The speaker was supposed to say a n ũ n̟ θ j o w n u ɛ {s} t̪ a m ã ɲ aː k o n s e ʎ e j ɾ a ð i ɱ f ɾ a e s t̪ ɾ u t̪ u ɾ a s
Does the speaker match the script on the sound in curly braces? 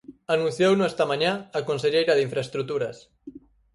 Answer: yes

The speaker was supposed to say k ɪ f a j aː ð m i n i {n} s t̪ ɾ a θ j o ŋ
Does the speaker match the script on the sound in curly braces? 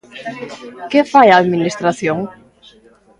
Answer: no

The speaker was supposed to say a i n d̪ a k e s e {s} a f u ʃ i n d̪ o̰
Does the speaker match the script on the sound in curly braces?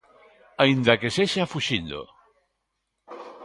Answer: no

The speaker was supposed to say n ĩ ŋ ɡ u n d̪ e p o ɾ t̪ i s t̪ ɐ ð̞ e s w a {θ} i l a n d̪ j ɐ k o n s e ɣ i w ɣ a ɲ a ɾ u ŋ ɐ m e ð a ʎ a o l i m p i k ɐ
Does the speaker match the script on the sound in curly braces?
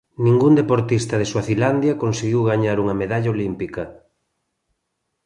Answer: yes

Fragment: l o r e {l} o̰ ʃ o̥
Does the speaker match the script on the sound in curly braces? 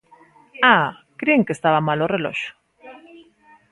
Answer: yes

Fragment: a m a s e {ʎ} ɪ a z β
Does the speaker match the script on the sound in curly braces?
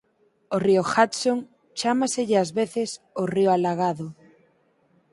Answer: yes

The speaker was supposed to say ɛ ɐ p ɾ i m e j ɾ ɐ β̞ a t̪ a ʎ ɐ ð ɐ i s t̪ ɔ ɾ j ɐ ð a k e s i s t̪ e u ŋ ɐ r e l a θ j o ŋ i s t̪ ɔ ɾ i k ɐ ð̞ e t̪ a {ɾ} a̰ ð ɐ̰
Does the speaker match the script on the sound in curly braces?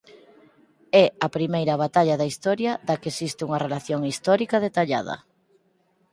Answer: no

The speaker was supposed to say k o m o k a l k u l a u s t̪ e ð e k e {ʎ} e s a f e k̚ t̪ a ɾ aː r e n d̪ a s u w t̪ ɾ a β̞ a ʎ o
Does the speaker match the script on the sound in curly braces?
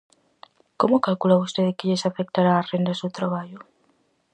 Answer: yes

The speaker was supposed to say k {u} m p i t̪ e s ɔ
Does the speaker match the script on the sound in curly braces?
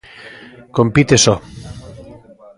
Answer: no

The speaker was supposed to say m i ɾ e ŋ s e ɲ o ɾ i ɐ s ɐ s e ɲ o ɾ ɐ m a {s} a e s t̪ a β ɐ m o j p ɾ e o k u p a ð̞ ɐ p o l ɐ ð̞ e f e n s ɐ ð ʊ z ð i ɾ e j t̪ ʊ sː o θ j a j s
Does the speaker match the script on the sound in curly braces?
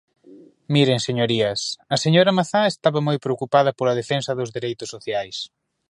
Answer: no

